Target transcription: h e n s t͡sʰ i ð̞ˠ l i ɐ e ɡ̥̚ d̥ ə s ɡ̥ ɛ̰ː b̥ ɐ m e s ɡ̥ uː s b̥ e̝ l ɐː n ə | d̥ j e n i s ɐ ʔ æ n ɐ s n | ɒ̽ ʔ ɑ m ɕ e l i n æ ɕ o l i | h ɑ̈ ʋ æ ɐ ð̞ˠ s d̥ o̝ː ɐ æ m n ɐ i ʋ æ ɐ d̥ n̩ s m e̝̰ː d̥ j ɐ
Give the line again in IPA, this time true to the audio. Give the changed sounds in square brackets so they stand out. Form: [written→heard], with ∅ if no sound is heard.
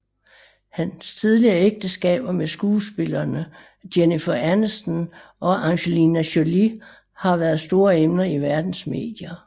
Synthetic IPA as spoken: h [e→æ] n s t͡sʰ i ð̞ˠ l i ɐ e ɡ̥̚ d̥ ə s ɡ̥ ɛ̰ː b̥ ɐ m e s ɡ̥ uː s b̥ e̝ l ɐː n ə | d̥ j e n i [s→f] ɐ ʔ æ n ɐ s n | ɒ̽ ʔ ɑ [m→ŋ] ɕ e l i n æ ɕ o l i | h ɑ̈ ʋ æ ɐ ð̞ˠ s d̥ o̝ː ɐ [æ→e] m n ɐ i ʋ æ ɐ d̥ n̩ s m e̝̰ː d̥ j ɐ